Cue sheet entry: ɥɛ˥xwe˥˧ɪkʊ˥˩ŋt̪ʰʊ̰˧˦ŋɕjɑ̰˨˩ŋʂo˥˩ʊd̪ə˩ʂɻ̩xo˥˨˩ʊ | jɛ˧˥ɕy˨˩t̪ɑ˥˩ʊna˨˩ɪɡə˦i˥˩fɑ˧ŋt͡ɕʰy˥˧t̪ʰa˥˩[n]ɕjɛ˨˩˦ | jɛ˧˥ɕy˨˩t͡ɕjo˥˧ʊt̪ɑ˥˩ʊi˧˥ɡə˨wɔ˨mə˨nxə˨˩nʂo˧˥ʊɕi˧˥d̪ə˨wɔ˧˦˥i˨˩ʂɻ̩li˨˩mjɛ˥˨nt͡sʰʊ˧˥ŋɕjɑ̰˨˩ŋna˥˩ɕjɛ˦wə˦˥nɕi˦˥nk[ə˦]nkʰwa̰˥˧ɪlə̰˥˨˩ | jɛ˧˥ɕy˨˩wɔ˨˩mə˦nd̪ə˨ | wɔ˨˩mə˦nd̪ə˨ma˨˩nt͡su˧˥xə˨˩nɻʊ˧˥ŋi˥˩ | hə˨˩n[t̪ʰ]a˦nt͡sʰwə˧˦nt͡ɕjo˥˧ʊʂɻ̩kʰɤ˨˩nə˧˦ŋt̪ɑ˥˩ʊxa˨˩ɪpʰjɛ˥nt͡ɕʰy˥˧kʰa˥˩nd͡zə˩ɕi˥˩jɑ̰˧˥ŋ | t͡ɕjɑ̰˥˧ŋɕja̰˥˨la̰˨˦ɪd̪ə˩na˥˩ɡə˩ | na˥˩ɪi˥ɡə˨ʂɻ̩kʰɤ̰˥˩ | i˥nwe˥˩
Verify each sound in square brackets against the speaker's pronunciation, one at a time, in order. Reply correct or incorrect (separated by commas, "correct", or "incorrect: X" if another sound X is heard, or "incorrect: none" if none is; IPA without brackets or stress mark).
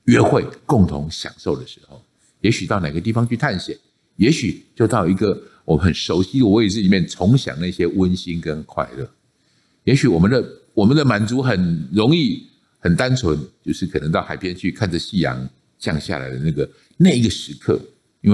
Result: correct, correct, incorrect: t̪